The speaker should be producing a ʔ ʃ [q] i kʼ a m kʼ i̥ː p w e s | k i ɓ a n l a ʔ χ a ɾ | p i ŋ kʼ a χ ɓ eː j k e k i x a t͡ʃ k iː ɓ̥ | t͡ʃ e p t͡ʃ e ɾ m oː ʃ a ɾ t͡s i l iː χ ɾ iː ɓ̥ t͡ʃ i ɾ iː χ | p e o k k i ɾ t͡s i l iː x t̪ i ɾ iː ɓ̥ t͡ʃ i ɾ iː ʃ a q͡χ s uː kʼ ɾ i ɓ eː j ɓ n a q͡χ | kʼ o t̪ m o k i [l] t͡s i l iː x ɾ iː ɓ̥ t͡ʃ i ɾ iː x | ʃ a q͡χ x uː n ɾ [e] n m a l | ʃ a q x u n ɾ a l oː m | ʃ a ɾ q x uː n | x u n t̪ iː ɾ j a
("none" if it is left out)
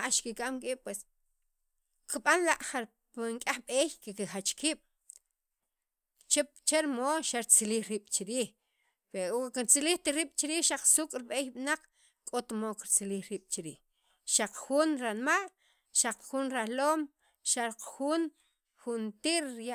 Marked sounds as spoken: k, ɾ, a

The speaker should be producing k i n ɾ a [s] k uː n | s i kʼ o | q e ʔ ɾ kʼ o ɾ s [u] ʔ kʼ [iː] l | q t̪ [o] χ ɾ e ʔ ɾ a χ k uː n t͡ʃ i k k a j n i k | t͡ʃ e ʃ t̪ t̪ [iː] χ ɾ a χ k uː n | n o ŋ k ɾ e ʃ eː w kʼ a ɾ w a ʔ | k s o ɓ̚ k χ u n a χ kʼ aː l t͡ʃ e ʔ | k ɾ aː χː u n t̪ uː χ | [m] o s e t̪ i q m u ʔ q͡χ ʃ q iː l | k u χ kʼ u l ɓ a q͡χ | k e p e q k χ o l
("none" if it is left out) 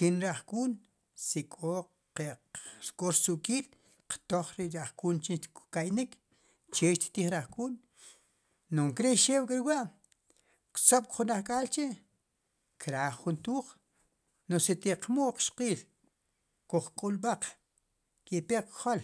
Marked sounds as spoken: χ, u, iː, o, iː, n

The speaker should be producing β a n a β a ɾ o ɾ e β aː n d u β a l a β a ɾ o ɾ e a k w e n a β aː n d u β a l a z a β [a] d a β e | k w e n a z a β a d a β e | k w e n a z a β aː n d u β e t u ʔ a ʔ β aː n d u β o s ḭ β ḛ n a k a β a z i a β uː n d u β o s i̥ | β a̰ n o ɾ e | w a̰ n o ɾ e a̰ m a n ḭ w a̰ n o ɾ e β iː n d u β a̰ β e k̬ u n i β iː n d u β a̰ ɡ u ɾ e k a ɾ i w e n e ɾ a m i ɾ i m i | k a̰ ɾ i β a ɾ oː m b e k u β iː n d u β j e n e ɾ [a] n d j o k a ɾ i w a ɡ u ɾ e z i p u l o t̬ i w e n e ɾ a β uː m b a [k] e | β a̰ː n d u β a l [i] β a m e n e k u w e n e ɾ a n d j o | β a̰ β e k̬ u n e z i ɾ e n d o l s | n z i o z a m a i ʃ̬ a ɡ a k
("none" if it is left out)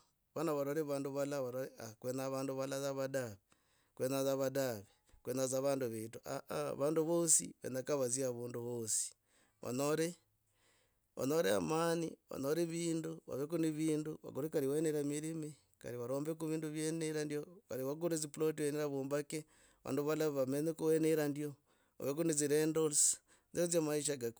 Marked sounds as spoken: a, a, k, a

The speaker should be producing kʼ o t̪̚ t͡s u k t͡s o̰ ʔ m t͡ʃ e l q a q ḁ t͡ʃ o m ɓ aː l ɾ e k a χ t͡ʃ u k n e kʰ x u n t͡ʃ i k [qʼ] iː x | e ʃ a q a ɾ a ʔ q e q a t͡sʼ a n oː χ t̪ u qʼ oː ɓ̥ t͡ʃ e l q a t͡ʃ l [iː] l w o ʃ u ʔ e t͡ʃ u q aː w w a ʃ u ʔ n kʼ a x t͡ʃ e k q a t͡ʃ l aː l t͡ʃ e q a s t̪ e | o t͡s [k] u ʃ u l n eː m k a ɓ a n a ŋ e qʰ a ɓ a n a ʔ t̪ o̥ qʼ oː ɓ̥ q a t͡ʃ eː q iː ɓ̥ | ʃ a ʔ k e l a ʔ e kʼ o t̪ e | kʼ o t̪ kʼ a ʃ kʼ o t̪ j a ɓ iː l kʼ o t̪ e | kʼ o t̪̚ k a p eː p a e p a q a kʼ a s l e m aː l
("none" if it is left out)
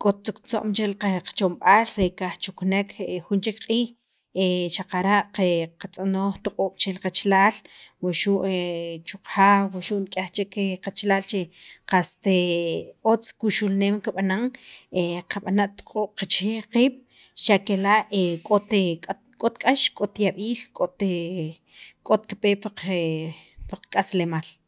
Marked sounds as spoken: qʼ, aː, k

